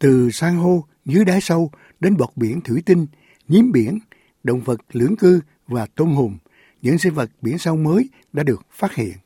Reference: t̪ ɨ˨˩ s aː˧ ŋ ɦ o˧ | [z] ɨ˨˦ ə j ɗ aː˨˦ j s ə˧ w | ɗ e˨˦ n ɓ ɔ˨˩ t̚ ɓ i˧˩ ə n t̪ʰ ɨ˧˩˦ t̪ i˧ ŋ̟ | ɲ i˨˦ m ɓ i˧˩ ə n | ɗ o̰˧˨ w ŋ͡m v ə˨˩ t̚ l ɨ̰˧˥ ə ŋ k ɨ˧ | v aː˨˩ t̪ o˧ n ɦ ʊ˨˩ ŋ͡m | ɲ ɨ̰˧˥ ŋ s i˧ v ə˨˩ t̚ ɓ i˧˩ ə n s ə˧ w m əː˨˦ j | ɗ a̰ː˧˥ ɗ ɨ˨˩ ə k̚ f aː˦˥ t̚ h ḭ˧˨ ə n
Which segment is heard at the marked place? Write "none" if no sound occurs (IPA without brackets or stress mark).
z